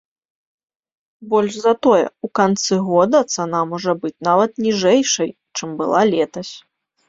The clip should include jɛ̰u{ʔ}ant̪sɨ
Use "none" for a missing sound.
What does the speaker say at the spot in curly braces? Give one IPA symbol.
k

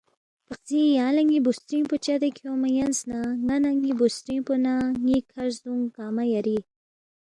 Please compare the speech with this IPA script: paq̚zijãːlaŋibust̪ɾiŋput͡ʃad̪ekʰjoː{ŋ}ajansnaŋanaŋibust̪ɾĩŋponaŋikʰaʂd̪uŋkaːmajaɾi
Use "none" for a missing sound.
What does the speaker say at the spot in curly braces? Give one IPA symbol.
m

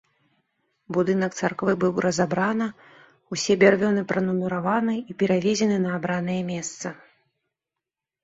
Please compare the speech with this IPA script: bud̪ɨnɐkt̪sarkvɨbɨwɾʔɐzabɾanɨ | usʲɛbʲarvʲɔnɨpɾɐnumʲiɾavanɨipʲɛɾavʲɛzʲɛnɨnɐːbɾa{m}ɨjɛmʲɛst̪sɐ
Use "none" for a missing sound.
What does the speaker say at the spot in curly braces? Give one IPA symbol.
n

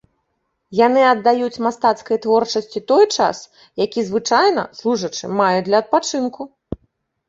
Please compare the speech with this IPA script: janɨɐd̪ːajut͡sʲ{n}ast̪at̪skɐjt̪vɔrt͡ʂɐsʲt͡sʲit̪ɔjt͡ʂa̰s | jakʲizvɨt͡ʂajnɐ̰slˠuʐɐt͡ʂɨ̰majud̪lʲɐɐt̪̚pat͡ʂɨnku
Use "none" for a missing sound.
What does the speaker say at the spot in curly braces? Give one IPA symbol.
m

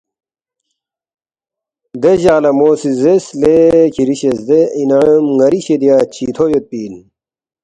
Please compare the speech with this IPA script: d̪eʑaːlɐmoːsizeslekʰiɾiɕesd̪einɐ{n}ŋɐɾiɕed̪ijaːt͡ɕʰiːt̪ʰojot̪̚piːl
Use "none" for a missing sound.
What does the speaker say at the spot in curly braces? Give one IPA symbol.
m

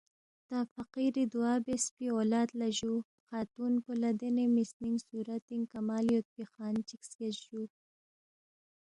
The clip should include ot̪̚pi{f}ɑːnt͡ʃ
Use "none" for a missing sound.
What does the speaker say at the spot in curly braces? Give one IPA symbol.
x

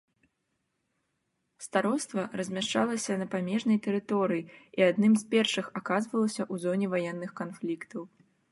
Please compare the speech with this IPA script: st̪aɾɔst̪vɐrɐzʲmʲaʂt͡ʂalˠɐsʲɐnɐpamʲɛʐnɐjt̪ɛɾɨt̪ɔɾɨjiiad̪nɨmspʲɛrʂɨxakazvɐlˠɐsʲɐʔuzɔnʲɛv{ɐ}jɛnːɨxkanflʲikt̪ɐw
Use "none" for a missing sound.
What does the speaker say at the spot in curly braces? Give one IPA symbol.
a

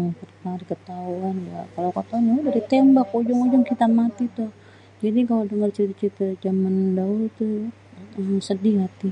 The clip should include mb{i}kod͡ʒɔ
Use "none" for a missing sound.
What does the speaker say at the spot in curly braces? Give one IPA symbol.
a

